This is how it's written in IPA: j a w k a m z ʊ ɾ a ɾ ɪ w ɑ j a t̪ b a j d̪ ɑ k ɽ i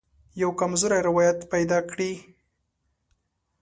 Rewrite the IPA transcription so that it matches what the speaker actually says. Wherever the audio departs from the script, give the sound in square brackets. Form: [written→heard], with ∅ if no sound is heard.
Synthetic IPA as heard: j a w k a m z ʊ ɾ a ɾ ɪ w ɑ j a t̪ [b→p] a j d̪ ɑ k ɽ i